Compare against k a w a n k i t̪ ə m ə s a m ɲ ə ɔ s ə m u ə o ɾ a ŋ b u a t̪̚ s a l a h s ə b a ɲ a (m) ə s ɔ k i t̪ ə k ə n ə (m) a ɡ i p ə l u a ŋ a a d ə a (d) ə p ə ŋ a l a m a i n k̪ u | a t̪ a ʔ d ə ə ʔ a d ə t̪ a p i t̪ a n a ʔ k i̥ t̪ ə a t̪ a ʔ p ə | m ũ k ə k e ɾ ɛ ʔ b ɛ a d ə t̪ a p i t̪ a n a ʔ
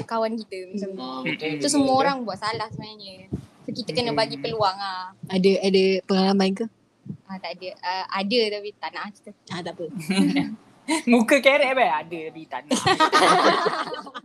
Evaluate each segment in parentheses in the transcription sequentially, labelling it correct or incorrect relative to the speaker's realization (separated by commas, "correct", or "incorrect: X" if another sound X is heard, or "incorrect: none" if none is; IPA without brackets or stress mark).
incorrect: ɲ, incorrect: b, correct